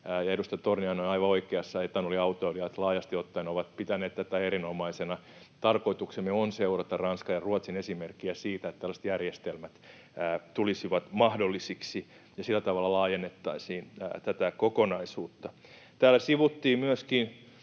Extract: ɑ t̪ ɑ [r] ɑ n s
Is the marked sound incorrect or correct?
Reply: correct